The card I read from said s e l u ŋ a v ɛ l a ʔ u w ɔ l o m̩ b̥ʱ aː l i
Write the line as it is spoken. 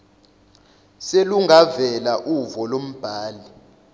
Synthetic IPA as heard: s e l u ŋ a v ɛ l a ʔ u v ɔ l o m̩ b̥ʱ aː l i